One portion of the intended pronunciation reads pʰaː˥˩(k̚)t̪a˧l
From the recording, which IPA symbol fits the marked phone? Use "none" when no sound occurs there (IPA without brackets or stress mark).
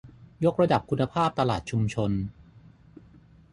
p̚